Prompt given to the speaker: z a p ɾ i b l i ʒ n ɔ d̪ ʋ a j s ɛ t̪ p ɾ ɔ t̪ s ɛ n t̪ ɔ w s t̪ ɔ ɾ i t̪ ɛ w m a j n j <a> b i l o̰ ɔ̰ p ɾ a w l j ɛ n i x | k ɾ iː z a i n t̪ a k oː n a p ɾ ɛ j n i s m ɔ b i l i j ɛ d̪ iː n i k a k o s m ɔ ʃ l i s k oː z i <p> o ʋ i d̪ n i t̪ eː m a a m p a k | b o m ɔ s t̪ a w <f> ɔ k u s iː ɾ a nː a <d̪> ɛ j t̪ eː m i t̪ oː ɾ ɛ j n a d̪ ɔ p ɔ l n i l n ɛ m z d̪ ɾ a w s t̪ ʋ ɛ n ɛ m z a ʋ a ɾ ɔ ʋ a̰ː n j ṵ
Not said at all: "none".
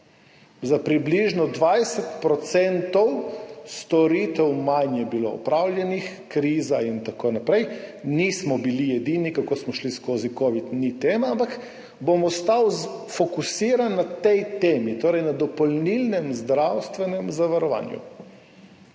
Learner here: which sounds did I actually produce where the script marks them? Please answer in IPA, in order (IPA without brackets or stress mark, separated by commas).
ɛ, k, f, t̪